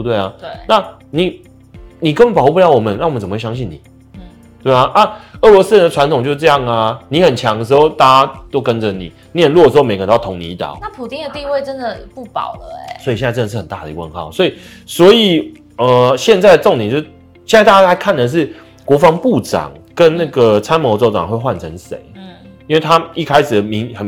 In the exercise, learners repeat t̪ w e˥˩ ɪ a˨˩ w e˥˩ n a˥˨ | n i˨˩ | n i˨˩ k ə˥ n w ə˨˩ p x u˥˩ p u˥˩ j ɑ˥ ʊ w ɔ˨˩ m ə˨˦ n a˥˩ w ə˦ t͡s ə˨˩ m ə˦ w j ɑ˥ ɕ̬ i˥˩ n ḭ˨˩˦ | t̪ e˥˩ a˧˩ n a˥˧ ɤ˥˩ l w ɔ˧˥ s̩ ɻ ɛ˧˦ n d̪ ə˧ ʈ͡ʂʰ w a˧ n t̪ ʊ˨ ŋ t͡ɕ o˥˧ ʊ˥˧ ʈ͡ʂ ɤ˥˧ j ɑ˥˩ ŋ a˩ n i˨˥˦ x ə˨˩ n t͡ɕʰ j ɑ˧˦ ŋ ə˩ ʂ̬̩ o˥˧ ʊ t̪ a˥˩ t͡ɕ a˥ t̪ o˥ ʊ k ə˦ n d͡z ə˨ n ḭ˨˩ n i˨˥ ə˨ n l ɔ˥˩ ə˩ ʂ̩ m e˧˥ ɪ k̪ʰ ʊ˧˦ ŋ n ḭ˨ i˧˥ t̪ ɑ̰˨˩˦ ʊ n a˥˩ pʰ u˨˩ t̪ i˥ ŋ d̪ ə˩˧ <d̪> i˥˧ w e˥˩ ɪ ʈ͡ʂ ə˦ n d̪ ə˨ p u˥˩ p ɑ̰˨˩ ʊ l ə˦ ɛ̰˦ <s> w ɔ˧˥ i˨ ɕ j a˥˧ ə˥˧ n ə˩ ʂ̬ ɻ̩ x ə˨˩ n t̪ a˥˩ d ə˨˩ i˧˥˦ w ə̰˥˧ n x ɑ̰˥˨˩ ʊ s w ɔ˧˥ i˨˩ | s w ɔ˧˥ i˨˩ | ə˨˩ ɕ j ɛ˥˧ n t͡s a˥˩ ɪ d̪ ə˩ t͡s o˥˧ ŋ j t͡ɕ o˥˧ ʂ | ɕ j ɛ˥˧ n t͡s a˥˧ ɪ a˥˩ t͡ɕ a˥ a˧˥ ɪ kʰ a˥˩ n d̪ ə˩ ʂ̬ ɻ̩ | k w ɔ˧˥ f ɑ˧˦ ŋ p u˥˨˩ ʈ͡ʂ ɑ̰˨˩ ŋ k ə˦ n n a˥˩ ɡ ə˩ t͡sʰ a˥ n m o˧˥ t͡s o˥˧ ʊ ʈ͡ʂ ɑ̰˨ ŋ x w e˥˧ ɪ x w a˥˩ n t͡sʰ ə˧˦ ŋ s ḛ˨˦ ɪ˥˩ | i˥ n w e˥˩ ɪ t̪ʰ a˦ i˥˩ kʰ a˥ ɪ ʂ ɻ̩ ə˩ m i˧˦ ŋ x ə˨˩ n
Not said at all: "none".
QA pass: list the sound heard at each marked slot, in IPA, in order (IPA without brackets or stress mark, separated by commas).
t̪, s